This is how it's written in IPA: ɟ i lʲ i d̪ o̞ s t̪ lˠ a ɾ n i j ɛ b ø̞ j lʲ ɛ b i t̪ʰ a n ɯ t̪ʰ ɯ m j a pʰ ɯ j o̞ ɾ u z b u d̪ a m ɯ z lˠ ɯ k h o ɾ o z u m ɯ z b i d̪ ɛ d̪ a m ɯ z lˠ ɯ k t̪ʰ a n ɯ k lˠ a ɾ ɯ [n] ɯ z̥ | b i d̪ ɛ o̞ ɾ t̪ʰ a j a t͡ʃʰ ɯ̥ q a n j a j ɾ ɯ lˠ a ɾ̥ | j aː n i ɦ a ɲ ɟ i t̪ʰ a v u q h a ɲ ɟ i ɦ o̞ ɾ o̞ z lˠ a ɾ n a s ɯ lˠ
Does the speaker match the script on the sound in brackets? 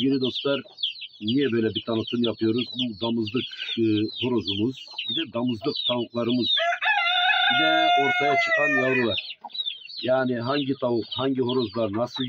no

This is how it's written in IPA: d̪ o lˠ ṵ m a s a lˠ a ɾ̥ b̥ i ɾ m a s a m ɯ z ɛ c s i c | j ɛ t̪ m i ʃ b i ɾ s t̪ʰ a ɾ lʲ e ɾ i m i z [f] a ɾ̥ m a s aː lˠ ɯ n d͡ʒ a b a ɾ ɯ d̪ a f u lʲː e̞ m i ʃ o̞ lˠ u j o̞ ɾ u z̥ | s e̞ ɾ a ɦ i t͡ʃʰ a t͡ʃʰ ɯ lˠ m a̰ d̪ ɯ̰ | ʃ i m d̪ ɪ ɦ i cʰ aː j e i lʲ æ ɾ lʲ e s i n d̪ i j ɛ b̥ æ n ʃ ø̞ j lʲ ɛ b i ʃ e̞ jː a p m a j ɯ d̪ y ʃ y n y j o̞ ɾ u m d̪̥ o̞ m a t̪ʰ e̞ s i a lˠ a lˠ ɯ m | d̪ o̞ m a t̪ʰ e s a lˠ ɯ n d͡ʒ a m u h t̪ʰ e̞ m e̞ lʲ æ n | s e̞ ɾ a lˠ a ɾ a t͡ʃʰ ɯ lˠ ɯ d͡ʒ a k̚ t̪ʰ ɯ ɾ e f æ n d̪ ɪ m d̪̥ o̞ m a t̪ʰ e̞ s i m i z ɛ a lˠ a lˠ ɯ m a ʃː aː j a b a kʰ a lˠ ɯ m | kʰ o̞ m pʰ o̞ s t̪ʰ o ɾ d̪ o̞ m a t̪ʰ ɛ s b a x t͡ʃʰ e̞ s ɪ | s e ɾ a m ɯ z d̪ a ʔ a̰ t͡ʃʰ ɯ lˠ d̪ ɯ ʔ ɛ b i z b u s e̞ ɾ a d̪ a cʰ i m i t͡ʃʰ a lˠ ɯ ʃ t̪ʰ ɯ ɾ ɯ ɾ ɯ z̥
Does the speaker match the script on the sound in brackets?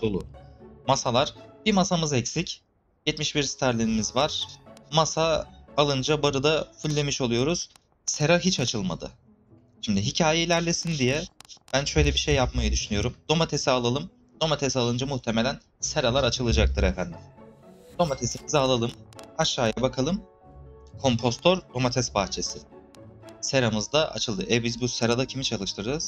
no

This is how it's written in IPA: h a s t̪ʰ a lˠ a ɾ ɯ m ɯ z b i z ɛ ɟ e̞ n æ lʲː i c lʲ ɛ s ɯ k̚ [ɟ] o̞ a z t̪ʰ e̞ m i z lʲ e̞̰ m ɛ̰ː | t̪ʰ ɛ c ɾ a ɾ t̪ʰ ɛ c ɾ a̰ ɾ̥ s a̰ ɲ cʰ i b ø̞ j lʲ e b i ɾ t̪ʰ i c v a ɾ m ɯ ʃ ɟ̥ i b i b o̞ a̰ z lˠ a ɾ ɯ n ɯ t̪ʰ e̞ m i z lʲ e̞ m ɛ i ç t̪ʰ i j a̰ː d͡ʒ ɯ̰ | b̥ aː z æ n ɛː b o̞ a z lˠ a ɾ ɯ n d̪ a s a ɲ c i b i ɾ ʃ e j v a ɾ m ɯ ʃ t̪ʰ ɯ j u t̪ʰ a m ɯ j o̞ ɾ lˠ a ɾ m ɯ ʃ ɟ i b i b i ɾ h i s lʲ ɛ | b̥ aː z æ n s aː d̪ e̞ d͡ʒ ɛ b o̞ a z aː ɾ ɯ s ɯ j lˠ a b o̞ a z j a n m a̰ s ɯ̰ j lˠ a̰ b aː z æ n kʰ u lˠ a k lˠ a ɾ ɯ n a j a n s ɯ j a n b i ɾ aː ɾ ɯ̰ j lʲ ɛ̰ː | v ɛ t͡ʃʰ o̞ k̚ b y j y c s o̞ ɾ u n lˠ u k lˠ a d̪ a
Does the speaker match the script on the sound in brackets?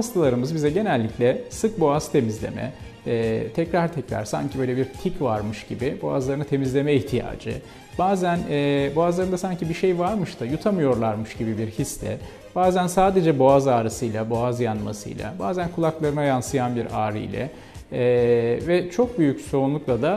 no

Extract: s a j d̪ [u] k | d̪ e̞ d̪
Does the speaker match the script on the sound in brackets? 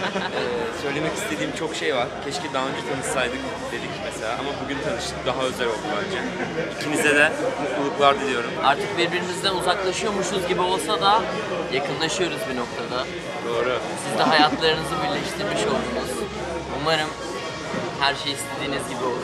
no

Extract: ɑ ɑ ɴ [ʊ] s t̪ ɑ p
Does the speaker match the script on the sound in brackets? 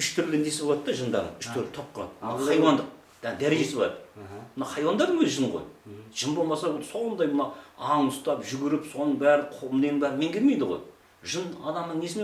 yes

